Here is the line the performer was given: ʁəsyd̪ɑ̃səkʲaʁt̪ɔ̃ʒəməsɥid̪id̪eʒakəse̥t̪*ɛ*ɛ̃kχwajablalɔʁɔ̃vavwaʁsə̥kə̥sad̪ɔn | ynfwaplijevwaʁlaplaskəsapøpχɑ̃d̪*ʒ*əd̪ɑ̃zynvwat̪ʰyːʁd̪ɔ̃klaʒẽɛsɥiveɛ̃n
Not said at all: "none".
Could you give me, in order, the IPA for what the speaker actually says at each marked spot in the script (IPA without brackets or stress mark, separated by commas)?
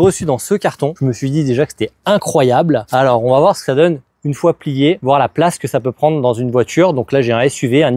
ɛ, ʁ